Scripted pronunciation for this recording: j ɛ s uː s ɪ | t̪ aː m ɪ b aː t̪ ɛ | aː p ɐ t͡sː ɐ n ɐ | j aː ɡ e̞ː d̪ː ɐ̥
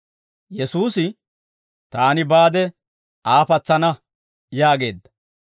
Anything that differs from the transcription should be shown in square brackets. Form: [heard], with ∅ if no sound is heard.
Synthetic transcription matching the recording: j ɛ s uː s ɪ | t̪ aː [n] ɪ b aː [d̪] ɛ | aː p ɐ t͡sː ɐ n ɐ | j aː ɡ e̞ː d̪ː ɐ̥